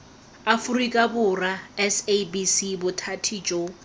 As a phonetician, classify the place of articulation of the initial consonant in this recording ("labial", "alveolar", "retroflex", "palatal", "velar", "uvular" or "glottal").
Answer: labial